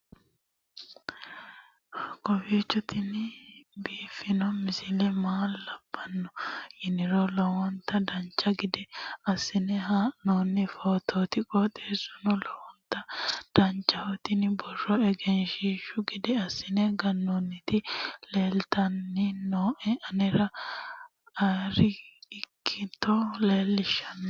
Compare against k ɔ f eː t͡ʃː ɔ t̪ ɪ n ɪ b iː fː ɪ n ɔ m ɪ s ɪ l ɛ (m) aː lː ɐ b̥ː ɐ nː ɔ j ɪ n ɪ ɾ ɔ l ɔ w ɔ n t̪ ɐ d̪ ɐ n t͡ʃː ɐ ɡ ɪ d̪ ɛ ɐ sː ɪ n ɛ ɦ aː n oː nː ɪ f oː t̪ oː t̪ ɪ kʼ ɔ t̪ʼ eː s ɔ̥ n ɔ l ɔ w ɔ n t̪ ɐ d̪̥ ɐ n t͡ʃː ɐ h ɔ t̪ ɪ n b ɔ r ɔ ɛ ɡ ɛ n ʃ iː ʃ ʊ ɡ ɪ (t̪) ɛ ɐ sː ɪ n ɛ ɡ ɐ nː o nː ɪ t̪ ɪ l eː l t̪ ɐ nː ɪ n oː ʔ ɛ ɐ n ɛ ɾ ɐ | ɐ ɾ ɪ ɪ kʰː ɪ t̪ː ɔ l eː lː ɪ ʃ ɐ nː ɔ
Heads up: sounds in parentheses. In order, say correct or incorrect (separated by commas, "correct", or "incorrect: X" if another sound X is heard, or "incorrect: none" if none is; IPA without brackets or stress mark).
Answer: correct, incorrect: d̪